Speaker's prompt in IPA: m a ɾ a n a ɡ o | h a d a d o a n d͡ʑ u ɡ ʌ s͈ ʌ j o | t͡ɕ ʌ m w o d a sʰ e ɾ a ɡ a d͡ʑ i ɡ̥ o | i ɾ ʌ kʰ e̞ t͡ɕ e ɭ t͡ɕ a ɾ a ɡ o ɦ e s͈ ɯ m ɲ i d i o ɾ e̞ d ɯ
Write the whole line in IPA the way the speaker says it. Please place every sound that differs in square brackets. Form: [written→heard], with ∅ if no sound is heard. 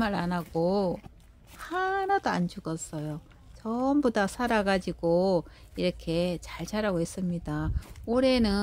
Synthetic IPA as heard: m a ɾ a n a ɡ o | h a [d→n] a d o a n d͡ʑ u ɡ ʌ s͈ ʌ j o | t͡ɕ ʌ m [w→b] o d a sʰ [e→a] ɾ a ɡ a d͡ʑ i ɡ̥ o | i ɾ ʌ kʰ e̞ t͡ɕ [e→a] ɭ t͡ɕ a ɾ a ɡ o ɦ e s͈ ɯ m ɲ i d [i→a] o ɾ e̞ [d→n] ɯ

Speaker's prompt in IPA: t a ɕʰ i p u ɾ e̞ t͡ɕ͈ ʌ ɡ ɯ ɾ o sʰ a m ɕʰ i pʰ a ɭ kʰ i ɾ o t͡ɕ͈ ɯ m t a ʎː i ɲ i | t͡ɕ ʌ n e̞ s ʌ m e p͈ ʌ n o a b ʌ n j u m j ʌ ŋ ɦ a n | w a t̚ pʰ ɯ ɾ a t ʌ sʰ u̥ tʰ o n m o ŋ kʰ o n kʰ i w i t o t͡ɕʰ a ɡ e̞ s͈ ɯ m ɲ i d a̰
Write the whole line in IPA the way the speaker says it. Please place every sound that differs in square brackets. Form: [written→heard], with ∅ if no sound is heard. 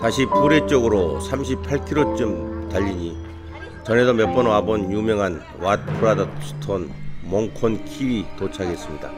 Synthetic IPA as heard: t a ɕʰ i p u ɾ e̞ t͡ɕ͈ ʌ ɡ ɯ ɾ o sʰ a m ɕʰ i pʰ a ɭ kʰ i ɾ o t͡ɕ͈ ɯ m t a ʎː i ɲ i | t͡ɕ ʌ n e̞ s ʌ m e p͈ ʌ n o a b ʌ n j u m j ʌ ŋ ɦ a n | w a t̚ pʰ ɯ ɾ a [t→d] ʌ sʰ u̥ tʰ o n m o ŋ kʰ o n kʰ i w i t o t͡ɕʰ a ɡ e̞ s͈ ɯ m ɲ i d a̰

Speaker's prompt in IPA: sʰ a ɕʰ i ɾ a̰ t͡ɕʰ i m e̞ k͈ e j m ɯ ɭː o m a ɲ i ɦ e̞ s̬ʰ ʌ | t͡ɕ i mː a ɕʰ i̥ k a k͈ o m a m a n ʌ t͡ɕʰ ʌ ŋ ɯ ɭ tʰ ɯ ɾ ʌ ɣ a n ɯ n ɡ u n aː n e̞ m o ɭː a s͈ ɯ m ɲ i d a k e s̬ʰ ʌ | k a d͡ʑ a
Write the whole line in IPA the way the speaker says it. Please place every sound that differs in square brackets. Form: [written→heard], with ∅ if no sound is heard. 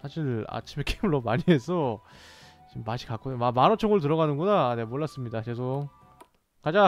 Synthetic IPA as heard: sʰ a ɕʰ i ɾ a̰ t͡ɕʰ i m e̞ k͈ e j m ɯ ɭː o m a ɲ i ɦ e̞ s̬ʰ ʌ | t͡ɕ i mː a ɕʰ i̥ k a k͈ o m a m a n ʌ t͡ɕʰ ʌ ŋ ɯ ɭ [tʰ→t] ɯ ɾ ʌ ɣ a n ɯ n ɡ u n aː n e̞ m o ɭː a s͈ ɯ m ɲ i d a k e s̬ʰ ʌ | k a d͡ʑ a

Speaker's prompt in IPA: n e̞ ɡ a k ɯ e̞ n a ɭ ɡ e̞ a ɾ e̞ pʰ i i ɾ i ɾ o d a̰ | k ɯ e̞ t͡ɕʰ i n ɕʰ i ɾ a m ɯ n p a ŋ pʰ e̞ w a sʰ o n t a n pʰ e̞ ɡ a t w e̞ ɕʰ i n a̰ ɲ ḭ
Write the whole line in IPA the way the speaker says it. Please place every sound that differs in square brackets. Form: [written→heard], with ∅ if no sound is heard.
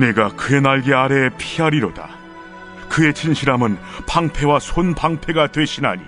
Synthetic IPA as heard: n e̞ ɡ a k ɯ e̞ n a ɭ ɡ e̞ a ɾ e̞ pʰ i [i→a] ɾ i ɾ o d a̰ | k ɯ e̞ t͡ɕʰ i n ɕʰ i ɾ a m ɯ n p a ŋ pʰ e̞ w a sʰ o n [t→p] a [n→ŋ] pʰ e̞ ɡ a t w e̞ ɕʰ i n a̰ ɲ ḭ

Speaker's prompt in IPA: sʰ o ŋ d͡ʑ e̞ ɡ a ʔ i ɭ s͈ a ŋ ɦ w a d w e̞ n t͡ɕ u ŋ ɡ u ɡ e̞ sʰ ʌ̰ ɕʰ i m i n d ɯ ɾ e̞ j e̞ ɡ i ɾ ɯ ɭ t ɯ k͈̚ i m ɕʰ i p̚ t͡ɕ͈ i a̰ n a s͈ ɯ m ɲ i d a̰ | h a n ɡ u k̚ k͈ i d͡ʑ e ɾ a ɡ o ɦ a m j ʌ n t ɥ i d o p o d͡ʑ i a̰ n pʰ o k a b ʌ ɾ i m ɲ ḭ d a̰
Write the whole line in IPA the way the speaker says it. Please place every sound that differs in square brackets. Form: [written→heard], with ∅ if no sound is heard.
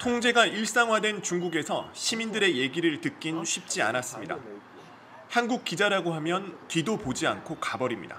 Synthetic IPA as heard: [sʰ→tʰ] o ŋ d͡ʑ e̞ ɡ a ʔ i ɭ s͈ a ŋ ɦ w a d w e̞ n t͡ɕ u ŋ ɡ u ɡ e̞ sʰ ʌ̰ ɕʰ i m i n d ɯ ɾ e̞ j e̞ ɡ i ɾ ɯ ɭ t ɯ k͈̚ i [m→n] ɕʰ i p̚ t͡ɕ͈ i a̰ n a s͈ ɯ m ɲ i d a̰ | h a n ɡ u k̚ k͈ i d͡ʑ [e→a] ɾ a ɡ o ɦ a m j ʌ n t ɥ i d o p o d͡ʑ i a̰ n [pʰ→kʰ] o k a b ʌ ɾ i m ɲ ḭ d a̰

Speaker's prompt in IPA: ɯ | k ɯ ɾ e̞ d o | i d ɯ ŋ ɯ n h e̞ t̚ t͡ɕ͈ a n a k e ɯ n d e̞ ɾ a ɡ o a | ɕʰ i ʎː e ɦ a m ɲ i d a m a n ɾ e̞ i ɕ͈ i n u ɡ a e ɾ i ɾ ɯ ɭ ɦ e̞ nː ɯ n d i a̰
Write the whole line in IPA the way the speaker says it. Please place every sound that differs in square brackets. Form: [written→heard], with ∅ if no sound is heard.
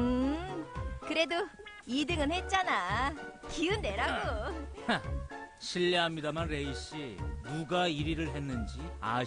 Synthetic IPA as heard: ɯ | k ɯ ɾ e̞ d o | i d ɯ ŋ ɯ n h e̞ t̚ t͡ɕ͈ a n a k [e→i] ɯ n d e̞ ɾ a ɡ o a | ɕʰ i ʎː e ɦ a m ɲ i d a m a n ɾ e̞ i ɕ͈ i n u ɡ a [e→i] ɾ i ɾ ɯ ɭ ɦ e̞ nː ɯ n [d→d͡ʑ] i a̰

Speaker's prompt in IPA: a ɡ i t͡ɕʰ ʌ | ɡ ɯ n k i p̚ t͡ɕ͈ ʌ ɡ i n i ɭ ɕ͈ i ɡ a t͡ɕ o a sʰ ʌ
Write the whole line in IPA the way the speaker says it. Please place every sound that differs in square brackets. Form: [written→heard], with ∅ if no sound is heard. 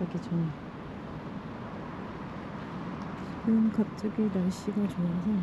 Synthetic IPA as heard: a ɡ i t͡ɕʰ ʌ | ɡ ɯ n k [i→a] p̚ t͡ɕ͈ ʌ ɡ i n [i→a] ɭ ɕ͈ i ɡ a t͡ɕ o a sʰ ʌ

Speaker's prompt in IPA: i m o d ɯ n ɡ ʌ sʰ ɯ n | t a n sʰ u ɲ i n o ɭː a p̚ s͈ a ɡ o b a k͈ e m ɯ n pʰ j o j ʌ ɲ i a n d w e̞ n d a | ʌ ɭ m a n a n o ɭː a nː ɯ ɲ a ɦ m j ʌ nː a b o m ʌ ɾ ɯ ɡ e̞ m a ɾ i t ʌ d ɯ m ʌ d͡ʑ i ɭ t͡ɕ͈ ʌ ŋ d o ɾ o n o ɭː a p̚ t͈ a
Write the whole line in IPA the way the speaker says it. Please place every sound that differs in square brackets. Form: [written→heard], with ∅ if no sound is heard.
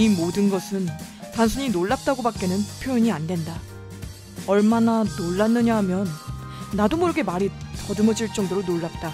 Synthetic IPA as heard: i m o d ɯ n ɡ ʌ sʰ ɯ n | t a n sʰ u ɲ i n o ɭː a p̚ [s͈→t͈] a ɡ o b a k͈ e [m→n] ɯ n pʰ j o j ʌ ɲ i a n d w e̞ n d a | ʌ ɭ m a n a n o ɭː a nː ɯ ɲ a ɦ m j ʌ nː a [b→d] o m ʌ ɾ ɯ ɡ e̞ m a ɾ i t ʌ d ɯ m ʌ d͡ʑ i ɭ t͡ɕ͈ ʌ ŋ d o ɾ o n o ɭː a p̚ t͈ a

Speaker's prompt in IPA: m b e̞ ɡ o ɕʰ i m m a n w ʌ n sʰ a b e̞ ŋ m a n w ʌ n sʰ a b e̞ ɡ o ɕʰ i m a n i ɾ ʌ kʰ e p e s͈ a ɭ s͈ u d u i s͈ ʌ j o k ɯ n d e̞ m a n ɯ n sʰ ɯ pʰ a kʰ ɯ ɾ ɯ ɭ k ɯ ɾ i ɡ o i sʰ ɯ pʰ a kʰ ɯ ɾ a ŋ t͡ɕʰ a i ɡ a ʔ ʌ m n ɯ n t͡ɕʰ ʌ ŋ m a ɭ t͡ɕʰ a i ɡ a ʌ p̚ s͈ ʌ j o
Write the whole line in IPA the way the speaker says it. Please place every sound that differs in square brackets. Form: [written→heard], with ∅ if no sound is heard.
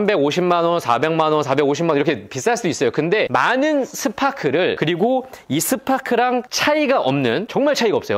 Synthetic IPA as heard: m b e̞ ɡ o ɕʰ i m m a n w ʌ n sʰ a b e̞ ŋ m a n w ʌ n sʰ a b e̞ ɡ o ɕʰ i m a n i ɾ ʌ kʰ e p [e→i] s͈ a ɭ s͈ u d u i s͈ ʌ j o k ɯ n d e̞ m a n ɯ n sʰ ɯ pʰ a kʰ ɯ ɾ ɯ ɭ k ɯ ɾ i ɡ o i sʰ ɯ pʰ a kʰ ɯ ɾ a ŋ t͡ɕʰ a i ɡ a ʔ ʌ m n ɯ n [t͡ɕʰ→t͡ɕ] ʌ ŋ m a ɭ t͡ɕʰ a i ɡ a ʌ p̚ s͈ ʌ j o

